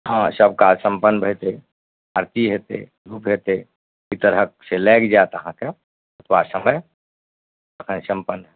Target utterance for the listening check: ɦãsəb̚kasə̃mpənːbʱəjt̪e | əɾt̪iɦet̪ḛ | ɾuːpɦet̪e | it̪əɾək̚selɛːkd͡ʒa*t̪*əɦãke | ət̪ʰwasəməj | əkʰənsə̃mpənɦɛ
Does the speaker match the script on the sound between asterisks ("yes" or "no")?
yes